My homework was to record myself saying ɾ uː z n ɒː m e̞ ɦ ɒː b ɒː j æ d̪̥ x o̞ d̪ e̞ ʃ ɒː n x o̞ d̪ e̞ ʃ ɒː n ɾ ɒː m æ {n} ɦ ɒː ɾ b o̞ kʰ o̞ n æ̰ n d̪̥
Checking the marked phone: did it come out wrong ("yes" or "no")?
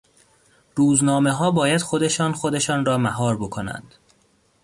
yes